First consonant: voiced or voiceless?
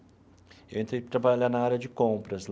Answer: voiced